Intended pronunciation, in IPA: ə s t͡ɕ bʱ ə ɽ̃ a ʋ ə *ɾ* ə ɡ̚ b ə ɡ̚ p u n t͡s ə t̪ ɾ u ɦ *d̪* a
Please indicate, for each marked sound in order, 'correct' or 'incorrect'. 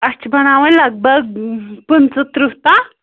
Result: incorrect, incorrect

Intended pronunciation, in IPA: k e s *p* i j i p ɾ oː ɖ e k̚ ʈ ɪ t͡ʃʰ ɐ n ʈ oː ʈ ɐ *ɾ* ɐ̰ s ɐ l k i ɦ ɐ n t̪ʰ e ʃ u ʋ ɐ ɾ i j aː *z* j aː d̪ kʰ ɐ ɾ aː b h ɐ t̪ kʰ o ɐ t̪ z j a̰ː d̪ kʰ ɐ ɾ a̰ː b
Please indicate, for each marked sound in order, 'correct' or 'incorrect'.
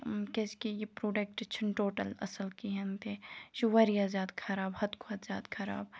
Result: incorrect, incorrect, correct

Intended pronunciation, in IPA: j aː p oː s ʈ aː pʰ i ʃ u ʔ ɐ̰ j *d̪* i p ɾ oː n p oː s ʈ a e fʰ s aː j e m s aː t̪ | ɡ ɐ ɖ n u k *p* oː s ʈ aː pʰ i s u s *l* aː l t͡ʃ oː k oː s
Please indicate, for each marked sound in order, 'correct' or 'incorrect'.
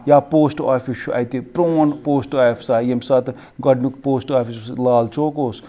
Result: incorrect, correct, correct

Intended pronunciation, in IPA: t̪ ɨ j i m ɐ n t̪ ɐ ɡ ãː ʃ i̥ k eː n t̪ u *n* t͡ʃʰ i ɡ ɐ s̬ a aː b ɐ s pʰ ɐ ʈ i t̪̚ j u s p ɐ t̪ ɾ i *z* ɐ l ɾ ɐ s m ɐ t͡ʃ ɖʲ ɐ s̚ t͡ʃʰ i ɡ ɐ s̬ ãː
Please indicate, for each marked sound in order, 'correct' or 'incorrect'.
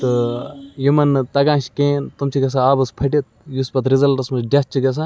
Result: incorrect, correct

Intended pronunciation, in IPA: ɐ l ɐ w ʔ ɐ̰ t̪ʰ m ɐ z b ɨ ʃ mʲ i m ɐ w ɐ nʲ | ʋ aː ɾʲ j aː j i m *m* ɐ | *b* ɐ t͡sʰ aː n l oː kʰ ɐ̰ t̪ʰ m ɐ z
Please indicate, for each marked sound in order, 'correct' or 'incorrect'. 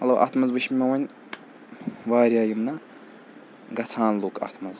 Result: incorrect, incorrect

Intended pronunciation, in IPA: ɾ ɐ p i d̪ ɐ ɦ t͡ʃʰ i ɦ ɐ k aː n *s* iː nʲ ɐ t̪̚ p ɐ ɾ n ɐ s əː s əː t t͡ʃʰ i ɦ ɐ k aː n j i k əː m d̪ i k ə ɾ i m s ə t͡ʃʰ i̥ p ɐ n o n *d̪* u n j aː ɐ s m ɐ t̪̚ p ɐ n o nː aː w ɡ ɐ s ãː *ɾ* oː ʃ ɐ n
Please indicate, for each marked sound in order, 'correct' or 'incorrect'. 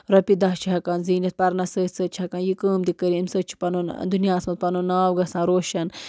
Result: incorrect, correct, correct

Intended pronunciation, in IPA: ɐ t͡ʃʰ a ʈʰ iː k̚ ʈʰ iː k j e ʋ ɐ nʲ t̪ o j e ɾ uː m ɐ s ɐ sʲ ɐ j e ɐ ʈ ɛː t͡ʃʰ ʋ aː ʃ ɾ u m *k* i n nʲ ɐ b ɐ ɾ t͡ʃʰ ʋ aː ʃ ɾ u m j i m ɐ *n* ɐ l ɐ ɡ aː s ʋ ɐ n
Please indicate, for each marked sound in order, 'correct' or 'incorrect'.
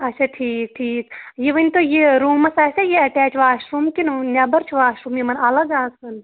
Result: correct, correct

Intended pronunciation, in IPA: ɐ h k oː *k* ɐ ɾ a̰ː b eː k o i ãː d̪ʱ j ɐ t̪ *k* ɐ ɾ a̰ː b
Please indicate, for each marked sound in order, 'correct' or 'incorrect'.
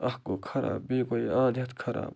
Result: incorrect, incorrect

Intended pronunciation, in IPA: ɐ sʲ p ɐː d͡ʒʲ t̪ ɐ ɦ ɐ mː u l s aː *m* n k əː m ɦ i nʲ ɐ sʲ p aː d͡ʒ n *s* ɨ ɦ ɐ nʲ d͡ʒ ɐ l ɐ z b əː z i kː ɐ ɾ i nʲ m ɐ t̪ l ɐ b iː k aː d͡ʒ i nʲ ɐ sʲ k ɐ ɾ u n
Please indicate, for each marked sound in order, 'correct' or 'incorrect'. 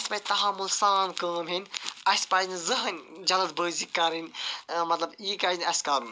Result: incorrect, incorrect

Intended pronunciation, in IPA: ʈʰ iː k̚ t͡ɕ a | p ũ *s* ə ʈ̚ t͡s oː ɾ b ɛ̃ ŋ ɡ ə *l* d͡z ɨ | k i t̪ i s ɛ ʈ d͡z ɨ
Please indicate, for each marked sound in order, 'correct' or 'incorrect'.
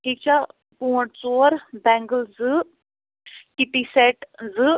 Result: incorrect, correct

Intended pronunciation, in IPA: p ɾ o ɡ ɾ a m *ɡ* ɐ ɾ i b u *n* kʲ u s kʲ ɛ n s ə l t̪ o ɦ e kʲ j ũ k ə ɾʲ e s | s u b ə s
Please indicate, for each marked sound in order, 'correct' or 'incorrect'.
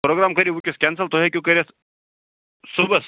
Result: incorrect, incorrect

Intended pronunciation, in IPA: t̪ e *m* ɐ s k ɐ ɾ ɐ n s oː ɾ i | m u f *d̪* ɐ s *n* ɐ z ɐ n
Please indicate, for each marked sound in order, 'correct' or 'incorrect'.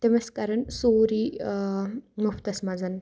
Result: correct, incorrect, incorrect

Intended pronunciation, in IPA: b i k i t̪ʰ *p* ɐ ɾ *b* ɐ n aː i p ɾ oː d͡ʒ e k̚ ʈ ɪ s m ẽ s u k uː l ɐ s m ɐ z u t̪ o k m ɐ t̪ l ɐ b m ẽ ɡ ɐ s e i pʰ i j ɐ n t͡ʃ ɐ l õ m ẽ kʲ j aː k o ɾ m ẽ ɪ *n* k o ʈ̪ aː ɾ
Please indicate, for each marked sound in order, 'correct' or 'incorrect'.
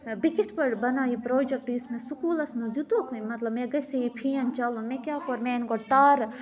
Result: correct, correct, correct

